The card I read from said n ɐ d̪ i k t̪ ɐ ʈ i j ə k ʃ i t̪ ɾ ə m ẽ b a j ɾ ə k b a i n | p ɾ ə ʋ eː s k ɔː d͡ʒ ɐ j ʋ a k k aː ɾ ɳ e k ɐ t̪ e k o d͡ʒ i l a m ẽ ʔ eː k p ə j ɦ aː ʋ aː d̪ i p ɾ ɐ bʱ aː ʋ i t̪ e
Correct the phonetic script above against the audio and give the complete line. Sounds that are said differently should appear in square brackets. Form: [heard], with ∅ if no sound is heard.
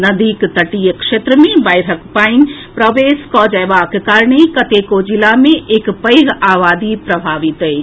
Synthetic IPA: n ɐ d̪ i k t̪ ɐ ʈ i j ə k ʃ [e] t̪ ɾ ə m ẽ b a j ɾ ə k [p] a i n | p ɾ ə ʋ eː s k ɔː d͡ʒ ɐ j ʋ a k k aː ɾ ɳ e k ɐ t̪ e k o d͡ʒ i l a m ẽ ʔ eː k p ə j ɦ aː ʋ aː d̪ i p ɾ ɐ bʱ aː ʋ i t̪ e